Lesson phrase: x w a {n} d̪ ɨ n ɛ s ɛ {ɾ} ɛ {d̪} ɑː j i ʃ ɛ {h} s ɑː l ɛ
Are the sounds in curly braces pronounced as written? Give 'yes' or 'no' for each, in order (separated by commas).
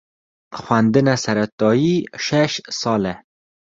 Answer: yes, yes, no, no